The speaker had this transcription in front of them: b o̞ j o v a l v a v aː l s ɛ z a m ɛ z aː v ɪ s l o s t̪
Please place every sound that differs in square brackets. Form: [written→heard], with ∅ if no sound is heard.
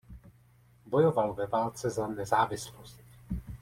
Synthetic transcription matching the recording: b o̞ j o v a l v [a→ɛ] v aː l [s→t͡s] ɛ z a [m→n] ɛ z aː v ɪ s l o s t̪